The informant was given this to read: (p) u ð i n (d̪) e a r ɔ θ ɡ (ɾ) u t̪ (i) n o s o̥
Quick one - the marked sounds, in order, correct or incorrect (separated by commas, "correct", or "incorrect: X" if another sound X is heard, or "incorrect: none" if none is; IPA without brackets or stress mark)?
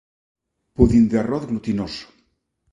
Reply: correct, correct, incorrect: l, correct